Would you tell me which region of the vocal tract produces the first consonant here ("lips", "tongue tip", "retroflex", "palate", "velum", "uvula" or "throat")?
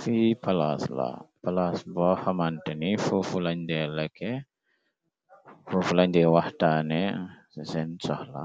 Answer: lips